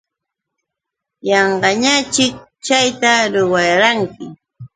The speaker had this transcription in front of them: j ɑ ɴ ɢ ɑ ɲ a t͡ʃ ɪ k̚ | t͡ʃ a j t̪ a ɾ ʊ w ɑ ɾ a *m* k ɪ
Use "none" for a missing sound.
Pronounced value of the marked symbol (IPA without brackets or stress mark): ŋ